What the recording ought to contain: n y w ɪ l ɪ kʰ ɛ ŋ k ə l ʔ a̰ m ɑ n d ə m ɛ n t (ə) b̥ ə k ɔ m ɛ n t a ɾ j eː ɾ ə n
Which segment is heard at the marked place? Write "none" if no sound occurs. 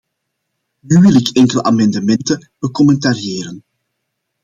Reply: ə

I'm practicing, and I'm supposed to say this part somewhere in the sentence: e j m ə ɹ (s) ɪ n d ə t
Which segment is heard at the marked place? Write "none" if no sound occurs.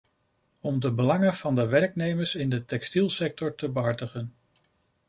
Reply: s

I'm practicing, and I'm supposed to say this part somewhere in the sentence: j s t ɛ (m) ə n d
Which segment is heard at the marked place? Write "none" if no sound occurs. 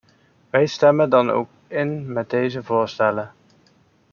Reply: m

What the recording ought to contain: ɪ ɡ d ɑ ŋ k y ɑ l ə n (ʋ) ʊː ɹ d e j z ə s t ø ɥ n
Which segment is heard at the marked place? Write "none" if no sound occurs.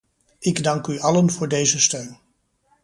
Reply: v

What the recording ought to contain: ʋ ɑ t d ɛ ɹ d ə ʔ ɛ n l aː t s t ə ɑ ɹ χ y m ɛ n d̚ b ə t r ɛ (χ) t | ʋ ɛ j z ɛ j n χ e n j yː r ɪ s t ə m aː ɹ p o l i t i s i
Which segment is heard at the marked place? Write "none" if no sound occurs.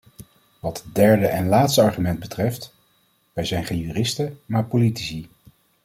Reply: f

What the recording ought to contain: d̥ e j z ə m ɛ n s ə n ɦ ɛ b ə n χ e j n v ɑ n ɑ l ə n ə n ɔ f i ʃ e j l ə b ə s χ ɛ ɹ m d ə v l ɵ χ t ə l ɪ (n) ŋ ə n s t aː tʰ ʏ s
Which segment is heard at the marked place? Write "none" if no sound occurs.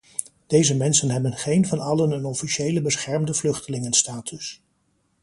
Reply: none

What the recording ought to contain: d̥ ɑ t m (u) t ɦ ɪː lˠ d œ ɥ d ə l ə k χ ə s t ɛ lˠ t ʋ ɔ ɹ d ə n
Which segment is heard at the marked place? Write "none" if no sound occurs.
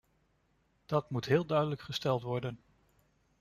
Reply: u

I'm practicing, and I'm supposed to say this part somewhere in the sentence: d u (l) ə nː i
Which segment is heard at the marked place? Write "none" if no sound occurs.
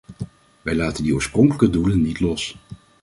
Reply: l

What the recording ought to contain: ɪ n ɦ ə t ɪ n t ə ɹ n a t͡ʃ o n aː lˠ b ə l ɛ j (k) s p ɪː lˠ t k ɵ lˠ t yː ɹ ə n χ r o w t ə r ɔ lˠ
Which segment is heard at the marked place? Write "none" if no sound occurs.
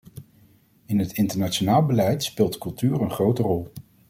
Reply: t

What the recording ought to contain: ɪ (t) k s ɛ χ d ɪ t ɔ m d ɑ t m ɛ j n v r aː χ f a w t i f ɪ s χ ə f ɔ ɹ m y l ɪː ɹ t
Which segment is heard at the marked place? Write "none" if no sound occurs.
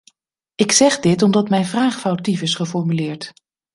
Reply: none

